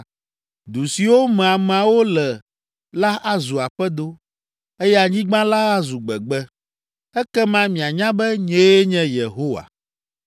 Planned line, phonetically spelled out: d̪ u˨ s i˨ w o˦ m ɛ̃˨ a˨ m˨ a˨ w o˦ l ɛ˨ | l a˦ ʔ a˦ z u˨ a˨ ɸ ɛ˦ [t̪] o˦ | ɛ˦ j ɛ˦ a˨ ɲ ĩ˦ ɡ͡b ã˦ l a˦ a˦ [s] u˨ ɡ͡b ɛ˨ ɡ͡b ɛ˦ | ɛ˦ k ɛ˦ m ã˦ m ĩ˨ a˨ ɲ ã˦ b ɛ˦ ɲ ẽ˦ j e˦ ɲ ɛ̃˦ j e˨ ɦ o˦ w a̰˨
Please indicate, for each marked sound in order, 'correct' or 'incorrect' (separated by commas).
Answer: incorrect, incorrect